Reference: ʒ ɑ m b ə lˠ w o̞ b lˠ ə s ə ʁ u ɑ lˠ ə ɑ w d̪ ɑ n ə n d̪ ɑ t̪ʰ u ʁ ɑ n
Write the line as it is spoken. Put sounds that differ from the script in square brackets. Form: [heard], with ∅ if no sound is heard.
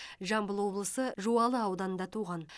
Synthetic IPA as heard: ʒ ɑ m b ə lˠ w o̞ b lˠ ə s ə [ʒ] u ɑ lˠ ə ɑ w d̪ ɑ n ə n d̪ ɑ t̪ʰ u ʁ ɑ n